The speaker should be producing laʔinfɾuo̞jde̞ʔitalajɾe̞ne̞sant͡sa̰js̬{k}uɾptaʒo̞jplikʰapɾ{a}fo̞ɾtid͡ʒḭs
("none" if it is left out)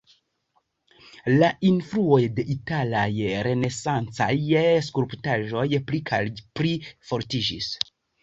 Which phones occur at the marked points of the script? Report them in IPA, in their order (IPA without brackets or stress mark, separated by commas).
k, i